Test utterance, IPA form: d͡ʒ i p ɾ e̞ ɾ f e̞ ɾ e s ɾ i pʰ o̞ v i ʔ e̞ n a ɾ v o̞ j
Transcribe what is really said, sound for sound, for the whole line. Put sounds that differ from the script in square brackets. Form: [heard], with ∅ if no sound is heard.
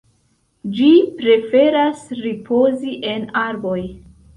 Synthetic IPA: d͡ʒ i p ɾ e̞ [∅] f e̞ ɾ [a] s ɾ i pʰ o̞ [z] i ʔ e̞ n a ɾ [b] o̞ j